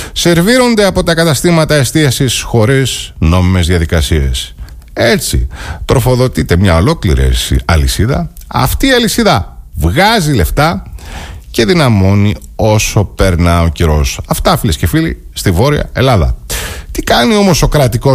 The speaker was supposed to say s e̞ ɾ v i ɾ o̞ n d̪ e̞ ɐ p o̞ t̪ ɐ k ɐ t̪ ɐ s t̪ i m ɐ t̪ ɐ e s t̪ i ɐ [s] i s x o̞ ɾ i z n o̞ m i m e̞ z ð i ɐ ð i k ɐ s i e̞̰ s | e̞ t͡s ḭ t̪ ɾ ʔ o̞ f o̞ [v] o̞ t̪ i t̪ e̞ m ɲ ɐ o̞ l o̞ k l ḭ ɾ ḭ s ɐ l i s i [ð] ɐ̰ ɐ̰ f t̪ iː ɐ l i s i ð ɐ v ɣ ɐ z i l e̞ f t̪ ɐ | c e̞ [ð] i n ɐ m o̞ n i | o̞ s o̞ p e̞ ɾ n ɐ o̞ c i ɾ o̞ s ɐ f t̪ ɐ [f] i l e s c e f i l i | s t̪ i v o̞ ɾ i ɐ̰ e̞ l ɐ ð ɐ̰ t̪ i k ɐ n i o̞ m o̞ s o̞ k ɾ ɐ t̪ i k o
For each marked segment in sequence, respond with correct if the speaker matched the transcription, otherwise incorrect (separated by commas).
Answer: correct, incorrect, correct, correct, correct